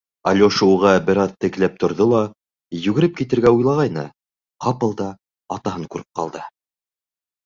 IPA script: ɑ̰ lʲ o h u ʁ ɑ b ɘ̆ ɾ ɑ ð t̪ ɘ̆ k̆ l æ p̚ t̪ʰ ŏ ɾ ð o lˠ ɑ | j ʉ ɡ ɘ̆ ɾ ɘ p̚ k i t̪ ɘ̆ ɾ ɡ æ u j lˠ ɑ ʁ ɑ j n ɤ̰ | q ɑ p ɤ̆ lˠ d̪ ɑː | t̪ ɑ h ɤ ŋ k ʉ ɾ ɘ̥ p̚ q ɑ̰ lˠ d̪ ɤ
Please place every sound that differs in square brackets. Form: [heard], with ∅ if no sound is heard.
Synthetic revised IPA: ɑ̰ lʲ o [ʃ] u ʁ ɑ b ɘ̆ ɾ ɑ ð t̪ ɘ̆ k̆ l æ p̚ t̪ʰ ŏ ɾ ð o lˠ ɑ | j ʉ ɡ ɘ̆ ɾ ɘ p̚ k i t̪ ɘ̆ ɾ ɡ æ u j lˠ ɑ ʁ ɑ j n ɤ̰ | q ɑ p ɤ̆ lˠ d̪ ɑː | t̪ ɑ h ɤ ŋ k ʉ ɾ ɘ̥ p̚ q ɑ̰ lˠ d̪ ɤ